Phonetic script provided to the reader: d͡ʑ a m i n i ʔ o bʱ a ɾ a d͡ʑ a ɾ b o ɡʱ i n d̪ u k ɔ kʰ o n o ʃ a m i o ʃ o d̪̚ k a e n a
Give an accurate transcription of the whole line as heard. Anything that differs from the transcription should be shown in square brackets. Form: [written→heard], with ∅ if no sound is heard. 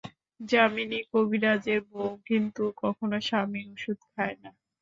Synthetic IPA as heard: d͡ʑ a m i n i [ʔ→k] o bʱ [a→i] ɾ a d͡ʑ [a→e] ɾ b o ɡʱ i n [d̪→t̪] u k ɔ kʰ o n o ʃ a m i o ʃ [o→u] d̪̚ [k→kʰ] a e n a